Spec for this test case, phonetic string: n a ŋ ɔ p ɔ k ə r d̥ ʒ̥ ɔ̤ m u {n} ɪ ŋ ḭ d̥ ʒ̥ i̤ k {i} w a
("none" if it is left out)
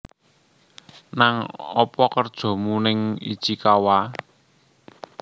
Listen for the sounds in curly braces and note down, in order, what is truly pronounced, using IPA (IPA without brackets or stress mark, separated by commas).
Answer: n, a